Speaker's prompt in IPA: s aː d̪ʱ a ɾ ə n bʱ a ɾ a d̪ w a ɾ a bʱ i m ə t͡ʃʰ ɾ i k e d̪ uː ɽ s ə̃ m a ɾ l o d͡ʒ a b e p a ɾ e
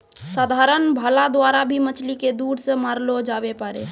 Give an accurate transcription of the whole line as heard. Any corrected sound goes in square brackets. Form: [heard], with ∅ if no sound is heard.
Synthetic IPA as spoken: s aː d̪ʱ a ɾ ə n bʱ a [l] a d̪ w a ɾ a bʱ i m ə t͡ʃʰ [l] i k e d̪ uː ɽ s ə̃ m a ɾ l o d͡ʒ a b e p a ɾ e

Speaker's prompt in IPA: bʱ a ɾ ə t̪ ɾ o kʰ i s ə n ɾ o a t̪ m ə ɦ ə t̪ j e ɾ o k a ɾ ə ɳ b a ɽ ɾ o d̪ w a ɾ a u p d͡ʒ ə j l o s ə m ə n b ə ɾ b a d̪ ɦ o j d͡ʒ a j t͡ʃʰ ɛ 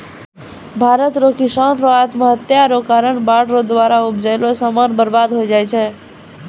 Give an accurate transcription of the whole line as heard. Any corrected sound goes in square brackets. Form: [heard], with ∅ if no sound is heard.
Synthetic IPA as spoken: bʱ a ɾ ə t̪ ɾ o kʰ i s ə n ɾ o a t̪ m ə ɦ ə t̪ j [a] ɾ o k a ɾ ə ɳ b a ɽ ɾ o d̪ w a ɾ a u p d͡ʒ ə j l o s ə m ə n b ə ɾ b a d̪ ɦ o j d͡ʒ a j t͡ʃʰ ɛ

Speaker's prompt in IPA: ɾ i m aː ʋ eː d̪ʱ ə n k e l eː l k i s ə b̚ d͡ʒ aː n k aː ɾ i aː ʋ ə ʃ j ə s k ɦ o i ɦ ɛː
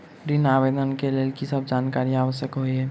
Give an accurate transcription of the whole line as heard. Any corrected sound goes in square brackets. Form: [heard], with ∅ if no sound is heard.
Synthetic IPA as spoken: ɾ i [n] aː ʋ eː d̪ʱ ə n k e l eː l k i s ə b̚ d͡ʒ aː n k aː ɾ i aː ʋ ə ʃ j ə [∅] k ɦ o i ɦ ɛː

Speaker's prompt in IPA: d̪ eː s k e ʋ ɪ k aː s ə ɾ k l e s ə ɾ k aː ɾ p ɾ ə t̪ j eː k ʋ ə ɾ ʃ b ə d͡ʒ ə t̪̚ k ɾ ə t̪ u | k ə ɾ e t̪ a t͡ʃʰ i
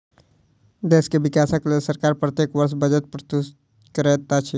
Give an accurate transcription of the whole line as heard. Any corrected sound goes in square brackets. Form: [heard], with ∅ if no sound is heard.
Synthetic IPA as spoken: d̪ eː s k e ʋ ɪ k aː s ə [∅] k l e s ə ɾ k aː ɾ p ɾ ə t̪ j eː k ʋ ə ɾ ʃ b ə d͡ʒ ə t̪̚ [p] ɾ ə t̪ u | k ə ɾ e t̪ a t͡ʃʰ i

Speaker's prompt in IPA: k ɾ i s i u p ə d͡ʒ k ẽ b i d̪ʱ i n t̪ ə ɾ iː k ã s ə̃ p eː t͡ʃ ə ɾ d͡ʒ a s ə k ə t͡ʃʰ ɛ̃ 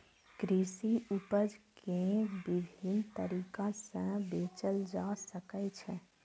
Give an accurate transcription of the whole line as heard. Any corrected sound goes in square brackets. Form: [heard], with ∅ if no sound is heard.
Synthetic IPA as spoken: k ɾ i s i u p ə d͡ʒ k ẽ b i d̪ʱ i n t̪ ə ɾ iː k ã s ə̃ [b] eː t͡ʃ ə [l] d͡ʒ a s ə k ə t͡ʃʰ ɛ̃

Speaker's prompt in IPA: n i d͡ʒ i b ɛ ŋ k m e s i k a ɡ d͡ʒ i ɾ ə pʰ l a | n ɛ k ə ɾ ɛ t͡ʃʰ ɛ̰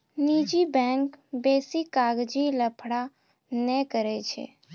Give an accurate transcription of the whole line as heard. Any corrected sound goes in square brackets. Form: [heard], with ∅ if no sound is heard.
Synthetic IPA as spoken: n i d͡ʒ i b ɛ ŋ k [b] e s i k a ɡ d͡ʒ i [l] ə pʰ [ɽ] a | n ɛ k ə ɾ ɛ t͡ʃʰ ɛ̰

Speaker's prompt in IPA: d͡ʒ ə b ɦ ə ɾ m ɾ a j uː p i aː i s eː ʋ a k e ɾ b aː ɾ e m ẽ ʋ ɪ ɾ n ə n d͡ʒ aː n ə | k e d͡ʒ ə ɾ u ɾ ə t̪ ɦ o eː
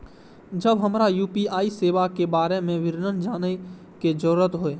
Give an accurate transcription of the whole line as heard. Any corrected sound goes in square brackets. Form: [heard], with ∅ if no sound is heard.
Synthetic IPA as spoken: d͡ʒ ə b ɦ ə [∅] m ɾ a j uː p i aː i s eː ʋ a k e [∅] b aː ɾ e m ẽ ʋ ɪ ɾ n ə n d͡ʒ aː n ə | k e d͡ʒ ə ɾ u ɾ ə t̪ ɦ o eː

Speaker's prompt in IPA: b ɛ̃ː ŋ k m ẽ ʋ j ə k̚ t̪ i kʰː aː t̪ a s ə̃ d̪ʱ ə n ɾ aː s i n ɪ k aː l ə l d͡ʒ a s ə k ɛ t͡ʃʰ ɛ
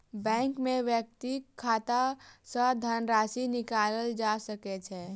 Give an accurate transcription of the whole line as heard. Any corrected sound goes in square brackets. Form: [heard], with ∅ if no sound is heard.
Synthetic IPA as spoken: b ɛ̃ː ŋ k m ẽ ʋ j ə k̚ t̪ i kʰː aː t̪ a s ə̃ d̪ʱ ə n ɾ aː s i n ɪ k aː l ə l d͡ʒ a s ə k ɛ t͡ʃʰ ɛ

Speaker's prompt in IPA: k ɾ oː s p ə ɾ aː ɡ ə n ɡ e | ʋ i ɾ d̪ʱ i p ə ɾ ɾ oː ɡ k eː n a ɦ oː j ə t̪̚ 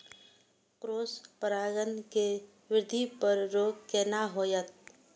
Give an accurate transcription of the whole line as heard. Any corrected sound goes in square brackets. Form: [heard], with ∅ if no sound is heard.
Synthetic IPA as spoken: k ɾ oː s p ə ɾ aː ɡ ə n [k] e | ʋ [ɪ] ɾ d̪ʱ i p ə ɾ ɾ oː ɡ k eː n a ɦ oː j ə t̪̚

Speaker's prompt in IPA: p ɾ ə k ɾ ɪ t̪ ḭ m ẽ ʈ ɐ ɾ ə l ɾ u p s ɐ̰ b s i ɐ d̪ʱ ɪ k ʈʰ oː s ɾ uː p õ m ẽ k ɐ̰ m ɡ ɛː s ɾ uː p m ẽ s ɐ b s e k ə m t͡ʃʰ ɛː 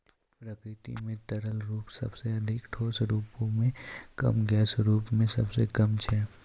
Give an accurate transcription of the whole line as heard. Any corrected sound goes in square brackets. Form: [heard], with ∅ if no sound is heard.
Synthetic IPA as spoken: p ɾ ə k ɾ ɪ t̪ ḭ m ẽ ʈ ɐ ɾ ə l ɾ [uː] p s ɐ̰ b s [e] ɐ d̪ʱ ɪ k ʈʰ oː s ɾ uː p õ m ẽ k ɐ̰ m ɡ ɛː s ɾ uː p m ẽ s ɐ b s e k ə m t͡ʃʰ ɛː

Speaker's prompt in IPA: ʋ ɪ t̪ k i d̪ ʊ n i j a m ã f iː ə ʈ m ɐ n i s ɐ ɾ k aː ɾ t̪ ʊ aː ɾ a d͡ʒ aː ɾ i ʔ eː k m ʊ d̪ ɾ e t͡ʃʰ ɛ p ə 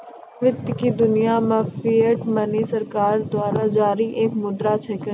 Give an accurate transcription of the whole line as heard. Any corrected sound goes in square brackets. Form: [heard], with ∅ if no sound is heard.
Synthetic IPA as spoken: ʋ ɪ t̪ k i d̪ ʊ n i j a m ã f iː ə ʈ m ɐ n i s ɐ ɾ k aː ɾ [d̪] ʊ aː ɾ a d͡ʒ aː ɾ i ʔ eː k m ʊ d̪ ɾ [a] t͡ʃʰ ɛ [k] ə

